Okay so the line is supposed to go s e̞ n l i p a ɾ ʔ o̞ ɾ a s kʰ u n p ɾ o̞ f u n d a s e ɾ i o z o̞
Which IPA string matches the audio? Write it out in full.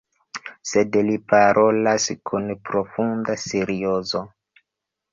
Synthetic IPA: s e̞ d l i p a ɾ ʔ o̞ l a s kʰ u n p ɾ o̞ f u n d a s e ɾ i o z o̞

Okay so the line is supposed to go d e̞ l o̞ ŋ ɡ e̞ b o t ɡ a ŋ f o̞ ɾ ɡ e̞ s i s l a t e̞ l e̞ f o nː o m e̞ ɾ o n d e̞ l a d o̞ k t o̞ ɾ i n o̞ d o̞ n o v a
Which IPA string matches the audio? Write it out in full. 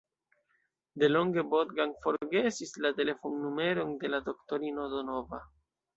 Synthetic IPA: d e̞ l o̞ ŋ ɡ e̞ b o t ɡ a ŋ f o̞ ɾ ɡ e̞ s i s l a t e̞ l e̞ f o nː u m e̞ ɾ o n d e̞ l a d o̞ k t o̞ ɾ i n o̞ d o̞ n o v a

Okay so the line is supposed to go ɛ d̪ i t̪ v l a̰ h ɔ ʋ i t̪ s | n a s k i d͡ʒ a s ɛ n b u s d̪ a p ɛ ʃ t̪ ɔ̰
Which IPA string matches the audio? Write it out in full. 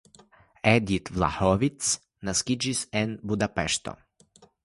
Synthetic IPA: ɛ d̪ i t̪ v l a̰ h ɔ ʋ i t̪ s | n a s k i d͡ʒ i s ɛ n b u d̪ a p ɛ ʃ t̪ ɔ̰

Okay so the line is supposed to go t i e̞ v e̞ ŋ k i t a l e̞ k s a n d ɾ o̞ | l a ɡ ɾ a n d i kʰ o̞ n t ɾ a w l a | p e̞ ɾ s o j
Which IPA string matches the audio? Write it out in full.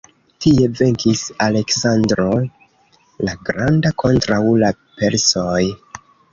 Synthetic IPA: t i e̞ v e̞ ŋ k i s a l e̞ k s a n d ɾ o̞ | l a ɡ ɾ a n d a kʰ o̞ n t ɾ a w l a | p e̞ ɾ s o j

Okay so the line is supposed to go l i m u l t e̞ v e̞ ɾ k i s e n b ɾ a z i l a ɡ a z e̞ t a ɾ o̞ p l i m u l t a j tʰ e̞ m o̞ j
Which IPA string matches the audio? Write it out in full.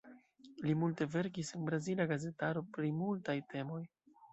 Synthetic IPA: l i m u l t e̞ v e̞ ɾ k i s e n b ɾ a z i l a ɡ a z e̞ t a ɾ o̞ p ɾ i m u l t a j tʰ e̞ m o̞ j

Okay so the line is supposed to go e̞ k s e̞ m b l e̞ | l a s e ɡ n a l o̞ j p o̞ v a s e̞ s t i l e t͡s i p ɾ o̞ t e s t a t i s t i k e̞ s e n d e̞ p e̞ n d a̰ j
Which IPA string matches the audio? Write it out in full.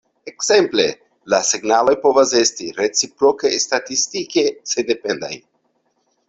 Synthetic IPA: e̞ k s e̞ m p l e̞ | l a s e ɡ n a l o̞ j p o̞ v a s e̞ s t i ɾ e t͡s i p ɾ o̞ k e s t a t i s t i k e̞ s e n d e̞ p e̞ n d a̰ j

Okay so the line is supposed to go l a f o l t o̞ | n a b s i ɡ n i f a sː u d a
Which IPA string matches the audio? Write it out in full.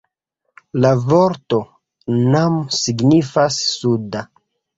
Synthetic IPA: l a v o ɾ t o̞ | n a m s i ɡ n i f a sː u d a

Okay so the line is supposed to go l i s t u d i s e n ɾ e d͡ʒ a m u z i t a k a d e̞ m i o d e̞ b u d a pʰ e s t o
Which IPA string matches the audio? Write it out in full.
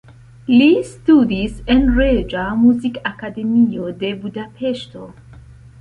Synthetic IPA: l i s t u d i s e n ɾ e d͡ʒ a m u z i k a k a d e̞ m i o d e̞ b u d a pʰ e ʃ t o

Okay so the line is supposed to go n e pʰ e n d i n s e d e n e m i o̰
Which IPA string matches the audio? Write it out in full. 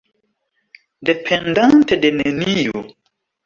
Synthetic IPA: d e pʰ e n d a n t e d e n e n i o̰

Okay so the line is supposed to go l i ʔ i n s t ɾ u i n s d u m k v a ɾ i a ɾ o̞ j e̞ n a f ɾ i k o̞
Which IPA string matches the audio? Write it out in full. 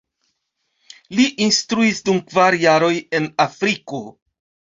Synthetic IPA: l i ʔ i n s t ɾ u i s d u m k v a ɾ j a ɾ o̞ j e̞ n a f ɾ i k o̞

